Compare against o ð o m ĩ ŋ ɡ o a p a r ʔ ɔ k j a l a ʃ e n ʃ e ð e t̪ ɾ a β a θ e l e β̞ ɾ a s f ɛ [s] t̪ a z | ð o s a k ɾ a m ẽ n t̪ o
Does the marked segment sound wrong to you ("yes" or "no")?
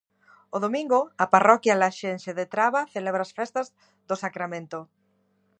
no